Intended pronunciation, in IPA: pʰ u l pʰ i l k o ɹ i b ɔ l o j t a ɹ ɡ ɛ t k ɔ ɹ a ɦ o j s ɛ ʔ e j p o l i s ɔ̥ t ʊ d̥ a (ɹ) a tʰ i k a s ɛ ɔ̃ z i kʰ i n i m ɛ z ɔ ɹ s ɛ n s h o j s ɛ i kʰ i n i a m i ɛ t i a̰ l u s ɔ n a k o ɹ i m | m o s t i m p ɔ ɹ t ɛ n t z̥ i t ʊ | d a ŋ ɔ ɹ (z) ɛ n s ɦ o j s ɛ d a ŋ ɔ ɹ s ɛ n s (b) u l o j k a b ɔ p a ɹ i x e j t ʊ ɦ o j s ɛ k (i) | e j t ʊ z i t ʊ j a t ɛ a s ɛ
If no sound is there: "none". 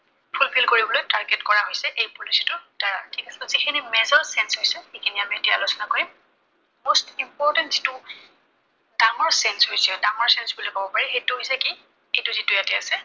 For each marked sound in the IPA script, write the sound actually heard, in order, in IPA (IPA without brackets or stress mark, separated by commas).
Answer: ɹ, s, b, i